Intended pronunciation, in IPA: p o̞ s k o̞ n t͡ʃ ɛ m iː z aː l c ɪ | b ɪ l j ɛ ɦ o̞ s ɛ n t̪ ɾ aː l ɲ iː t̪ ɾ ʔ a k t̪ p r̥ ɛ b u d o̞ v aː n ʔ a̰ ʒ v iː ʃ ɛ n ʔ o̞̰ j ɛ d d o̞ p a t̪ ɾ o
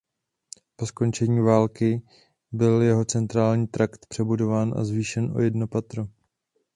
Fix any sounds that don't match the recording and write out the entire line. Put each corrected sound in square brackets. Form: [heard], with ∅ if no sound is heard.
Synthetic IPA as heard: p o̞ s k o̞ n t͡ʃ ɛ [ɲ] iː [v] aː l [k] ɪ | b ɪ l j ɛ ɦ o̞ [t͡s] ɛ n t̪ ɾ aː l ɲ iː t̪ ɾ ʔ a k t̪ p r̥ ɛ b u d o̞ v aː n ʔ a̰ [z] v iː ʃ ɛ n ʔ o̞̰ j ɛ d [n] o̞ p a t̪ ɾ o